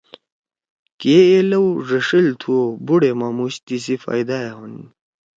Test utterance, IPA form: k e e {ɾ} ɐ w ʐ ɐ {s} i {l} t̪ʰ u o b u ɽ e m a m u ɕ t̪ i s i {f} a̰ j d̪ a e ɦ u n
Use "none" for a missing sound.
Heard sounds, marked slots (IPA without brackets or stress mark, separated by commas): l, ʂ, l, f